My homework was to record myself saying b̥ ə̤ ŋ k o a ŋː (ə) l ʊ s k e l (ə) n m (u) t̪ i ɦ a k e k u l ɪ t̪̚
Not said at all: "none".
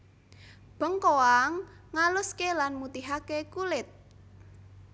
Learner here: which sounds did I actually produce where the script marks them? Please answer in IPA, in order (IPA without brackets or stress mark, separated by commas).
a, a, u